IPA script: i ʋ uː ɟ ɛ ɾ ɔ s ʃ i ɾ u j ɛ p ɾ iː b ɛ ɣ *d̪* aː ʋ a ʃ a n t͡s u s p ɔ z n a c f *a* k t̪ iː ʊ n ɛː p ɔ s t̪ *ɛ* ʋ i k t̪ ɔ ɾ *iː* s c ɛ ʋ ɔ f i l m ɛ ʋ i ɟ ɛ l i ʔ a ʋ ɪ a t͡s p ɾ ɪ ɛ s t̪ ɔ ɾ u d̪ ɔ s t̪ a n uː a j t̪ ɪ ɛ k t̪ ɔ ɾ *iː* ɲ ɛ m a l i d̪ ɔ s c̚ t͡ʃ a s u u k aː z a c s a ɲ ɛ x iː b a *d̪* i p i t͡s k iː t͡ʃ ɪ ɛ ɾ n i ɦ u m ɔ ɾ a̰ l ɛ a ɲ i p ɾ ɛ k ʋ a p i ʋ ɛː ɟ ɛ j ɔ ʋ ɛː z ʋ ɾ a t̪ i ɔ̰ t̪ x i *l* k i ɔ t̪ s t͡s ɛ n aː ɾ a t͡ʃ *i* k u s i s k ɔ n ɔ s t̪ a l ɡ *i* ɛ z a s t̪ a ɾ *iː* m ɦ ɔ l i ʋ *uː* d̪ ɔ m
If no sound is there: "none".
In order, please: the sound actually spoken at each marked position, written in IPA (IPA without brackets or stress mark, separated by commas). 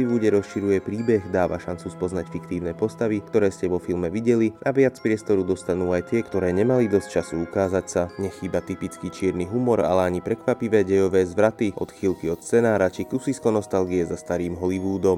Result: d̪, i, a, ɛː, ɛː, t̪, l, i, i, iː, uː